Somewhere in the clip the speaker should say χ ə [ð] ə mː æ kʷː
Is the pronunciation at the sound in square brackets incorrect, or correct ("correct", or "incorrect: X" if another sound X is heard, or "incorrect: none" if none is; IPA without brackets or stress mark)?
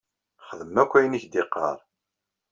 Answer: correct